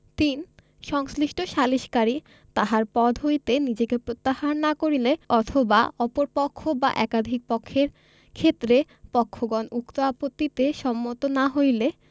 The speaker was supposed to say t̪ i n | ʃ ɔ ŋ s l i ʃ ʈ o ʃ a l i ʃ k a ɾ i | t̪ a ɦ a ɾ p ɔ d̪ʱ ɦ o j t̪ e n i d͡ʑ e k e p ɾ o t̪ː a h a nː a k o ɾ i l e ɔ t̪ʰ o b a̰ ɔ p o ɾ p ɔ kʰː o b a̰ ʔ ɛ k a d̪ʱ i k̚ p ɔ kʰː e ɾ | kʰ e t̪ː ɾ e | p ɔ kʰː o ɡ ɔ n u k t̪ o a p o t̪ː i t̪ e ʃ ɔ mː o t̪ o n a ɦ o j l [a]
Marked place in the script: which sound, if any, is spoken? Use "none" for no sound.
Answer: e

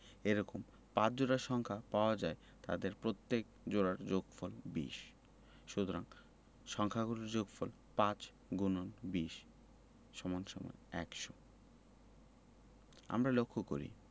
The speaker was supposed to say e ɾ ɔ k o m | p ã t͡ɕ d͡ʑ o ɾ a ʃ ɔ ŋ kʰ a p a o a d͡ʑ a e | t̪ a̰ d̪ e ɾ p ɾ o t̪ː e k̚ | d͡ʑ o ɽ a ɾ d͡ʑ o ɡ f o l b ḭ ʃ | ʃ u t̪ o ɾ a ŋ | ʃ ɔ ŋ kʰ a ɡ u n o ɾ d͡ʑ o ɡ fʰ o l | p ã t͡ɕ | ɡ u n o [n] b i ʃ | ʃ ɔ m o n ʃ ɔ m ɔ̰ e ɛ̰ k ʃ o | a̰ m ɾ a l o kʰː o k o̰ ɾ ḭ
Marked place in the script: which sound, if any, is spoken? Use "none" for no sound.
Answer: n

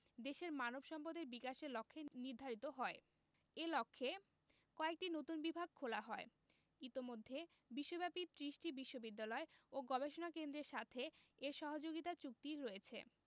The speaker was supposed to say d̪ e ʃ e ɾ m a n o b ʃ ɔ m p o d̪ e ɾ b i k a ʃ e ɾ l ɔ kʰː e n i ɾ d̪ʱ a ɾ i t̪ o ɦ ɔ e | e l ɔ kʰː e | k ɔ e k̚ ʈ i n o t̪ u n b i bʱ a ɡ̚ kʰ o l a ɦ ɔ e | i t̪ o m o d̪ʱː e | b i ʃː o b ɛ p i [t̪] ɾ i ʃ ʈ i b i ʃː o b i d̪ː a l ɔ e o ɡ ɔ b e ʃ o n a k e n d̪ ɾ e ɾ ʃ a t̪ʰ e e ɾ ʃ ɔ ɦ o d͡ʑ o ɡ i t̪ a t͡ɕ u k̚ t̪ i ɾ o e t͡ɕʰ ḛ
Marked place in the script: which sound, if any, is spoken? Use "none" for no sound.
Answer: t̪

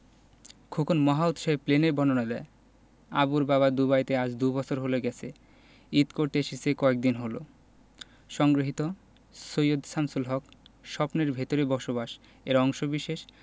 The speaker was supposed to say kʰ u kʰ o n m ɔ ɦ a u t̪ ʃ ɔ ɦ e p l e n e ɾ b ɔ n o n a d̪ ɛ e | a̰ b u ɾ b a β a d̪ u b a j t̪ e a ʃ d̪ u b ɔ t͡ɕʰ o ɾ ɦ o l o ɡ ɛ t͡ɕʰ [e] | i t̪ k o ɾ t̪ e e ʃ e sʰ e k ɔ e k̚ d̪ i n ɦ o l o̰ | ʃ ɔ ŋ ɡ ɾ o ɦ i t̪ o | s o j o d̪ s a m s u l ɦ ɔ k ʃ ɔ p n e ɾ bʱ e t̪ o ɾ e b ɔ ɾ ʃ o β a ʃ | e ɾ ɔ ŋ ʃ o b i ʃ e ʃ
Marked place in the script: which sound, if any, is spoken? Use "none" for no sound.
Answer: e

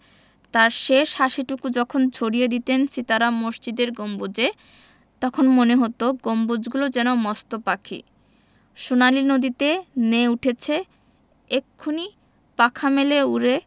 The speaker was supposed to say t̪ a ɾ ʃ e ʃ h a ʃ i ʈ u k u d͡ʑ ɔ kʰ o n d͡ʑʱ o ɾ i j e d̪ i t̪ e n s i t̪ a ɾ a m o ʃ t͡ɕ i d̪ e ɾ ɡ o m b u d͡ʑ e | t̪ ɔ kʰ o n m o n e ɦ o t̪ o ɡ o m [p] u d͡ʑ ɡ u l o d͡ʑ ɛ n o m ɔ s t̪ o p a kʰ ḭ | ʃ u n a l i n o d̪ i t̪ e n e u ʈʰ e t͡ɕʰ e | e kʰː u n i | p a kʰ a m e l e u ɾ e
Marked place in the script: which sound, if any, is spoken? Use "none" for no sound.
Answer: b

